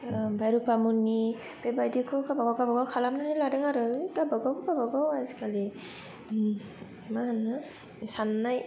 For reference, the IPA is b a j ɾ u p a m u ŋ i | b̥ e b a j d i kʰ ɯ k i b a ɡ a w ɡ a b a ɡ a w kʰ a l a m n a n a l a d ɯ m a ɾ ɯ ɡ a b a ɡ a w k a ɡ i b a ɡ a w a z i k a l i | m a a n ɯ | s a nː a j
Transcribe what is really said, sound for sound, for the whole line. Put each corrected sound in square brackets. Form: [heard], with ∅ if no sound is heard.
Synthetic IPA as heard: b a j ɾ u p a m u [n] i | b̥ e b a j d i kʰ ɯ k [a] b a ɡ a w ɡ a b a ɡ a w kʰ a l a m n a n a l a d ɯ [ŋ] a ɾ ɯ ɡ a b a ɡ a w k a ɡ [a] b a ɡ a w a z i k a l i | m a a n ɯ | s a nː a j

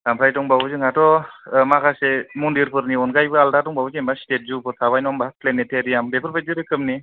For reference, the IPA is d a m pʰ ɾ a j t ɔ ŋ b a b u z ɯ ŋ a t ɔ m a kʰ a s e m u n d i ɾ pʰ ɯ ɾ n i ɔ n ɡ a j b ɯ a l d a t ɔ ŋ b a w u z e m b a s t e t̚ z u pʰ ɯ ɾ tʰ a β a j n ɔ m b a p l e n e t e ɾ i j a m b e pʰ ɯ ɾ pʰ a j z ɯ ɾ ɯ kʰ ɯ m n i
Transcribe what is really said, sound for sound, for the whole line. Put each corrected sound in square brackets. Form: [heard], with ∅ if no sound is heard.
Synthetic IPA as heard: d a m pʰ ɾ a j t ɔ ŋ b a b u z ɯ ŋ a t ɔ m a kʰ a s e m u n d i ɾ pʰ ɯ ɾ n i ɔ n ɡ a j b ɯ a l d a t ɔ ŋ b a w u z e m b a s t e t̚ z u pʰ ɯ ɾ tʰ a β a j n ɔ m b a p l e n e t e ɾ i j a m b e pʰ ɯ ɾ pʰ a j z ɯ ɾ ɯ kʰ ɯ m n i

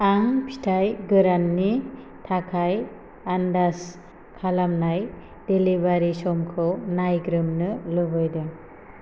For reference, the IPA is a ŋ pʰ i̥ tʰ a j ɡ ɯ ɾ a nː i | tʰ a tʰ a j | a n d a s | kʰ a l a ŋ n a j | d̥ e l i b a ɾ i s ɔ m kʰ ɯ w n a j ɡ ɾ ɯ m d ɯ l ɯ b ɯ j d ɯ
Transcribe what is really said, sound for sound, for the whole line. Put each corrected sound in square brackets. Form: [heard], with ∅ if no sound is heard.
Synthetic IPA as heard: a ŋ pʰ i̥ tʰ a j ɡ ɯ ɾ a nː i | tʰ a [kʰ] a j | a n d a s | kʰ a l a [m] n a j | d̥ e l i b a ɾ i s ɔ m kʰ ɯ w n a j ɡ ɾ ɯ m [n] ɯ l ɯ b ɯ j d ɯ

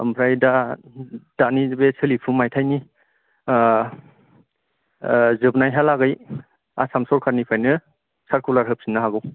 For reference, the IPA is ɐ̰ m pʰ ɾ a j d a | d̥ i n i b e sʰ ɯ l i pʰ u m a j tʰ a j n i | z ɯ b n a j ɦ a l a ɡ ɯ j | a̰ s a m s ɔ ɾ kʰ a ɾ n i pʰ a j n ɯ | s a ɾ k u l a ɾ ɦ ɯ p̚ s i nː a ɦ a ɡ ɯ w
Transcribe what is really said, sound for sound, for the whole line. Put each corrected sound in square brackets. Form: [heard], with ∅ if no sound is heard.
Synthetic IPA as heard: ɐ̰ m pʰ ɾ a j d a | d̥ [a] n i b e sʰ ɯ l i pʰ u m a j tʰ a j n i | z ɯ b n a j ɦ a l a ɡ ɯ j | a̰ s a m s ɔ ɾ kʰ a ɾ n i pʰ a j n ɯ | s a ɾ k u l a ɾ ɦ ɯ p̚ s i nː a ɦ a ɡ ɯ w

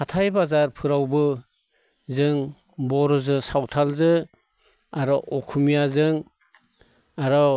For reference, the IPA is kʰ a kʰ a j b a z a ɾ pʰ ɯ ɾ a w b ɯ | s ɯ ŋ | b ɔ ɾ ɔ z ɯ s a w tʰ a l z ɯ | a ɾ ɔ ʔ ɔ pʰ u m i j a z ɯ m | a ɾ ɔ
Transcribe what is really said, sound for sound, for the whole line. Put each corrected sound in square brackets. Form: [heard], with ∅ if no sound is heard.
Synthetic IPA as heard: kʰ a [tʰ] a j b a z a ɾ pʰ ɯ ɾ a w b ɯ | [z] ɯ ŋ | b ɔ ɾ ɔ z ɯ s a w tʰ a l z ɯ | a ɾ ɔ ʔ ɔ [kʰ] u m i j a z ɯ [ŋ] | a ɾ ɔ

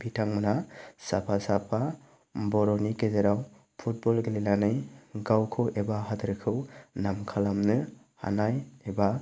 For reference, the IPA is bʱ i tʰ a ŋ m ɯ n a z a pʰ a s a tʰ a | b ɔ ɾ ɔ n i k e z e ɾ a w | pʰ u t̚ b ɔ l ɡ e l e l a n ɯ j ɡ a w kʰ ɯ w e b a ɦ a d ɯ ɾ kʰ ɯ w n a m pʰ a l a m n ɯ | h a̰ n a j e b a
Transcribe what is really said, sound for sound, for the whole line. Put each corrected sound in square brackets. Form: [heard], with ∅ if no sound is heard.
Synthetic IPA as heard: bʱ i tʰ a ŋ m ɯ n a [s] a pʰ a s a [pʰ] a | b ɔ ɾ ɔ n i k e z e ɾ a w | pʰ u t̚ b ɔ l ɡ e l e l a n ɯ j ɡ a w kʰ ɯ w e b a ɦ a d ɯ ɾ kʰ ɯ w n a m [kʰ] a l a m n ɯ | h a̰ n a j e b a

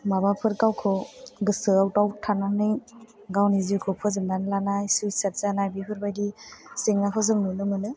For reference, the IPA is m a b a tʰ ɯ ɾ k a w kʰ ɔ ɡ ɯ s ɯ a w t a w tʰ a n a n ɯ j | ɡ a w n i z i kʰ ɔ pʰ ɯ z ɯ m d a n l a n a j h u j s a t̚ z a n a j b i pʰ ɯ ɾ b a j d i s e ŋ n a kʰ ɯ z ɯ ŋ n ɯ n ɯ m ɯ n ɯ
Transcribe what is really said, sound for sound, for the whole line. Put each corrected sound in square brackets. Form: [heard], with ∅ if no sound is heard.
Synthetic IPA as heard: m a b a [pʰ] ɯ ɾ k a w kʰ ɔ ɡ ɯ s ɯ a w t a w tʰ a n a n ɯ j | ɡ a w n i z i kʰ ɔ pʰ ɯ z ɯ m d a n l a n a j [s] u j s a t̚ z a n a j b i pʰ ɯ ɾ b a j d i s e ŋ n a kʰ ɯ z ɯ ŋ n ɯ n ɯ m ɯ n ɯ

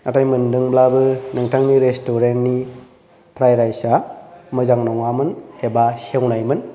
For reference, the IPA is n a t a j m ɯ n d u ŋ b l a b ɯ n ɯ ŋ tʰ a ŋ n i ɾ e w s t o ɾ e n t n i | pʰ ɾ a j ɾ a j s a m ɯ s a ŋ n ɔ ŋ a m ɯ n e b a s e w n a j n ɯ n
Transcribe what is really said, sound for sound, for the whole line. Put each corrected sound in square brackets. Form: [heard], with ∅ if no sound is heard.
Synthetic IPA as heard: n a t a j m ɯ n d [ɯ] ŋ b l a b ɯ n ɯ ŋ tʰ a ŋ n i ɾ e [∅] s t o ɾ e n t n i | pʰ ɾ a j ɾ a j s a m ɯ [z] a ŋ n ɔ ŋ a m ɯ n e b a s e w n a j [m] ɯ n

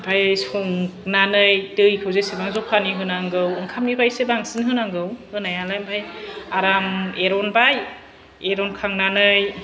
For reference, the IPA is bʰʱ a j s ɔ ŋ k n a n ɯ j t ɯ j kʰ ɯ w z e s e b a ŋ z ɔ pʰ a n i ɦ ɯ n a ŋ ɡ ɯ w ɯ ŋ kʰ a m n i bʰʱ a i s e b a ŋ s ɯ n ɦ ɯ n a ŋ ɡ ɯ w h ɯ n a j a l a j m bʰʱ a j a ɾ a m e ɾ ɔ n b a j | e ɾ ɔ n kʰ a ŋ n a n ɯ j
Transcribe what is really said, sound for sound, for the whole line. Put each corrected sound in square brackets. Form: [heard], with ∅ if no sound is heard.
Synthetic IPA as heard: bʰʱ a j s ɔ ŋ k n a n ɯ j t ɯ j kʰ ɯ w z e s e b a ŋ z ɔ pʰ a n i ɦ ɯ n a ŋ ɡ ɯ w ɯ ŋ kʰ a m n i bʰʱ a [j] s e b a ŋ s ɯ n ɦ ɯ n a ŋ ɡ ɯ w h ɯ n a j a l a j m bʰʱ a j a ɾ a m e ɾ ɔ n b a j | e ɾ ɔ n kʰ a ŋ n a n ɯ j

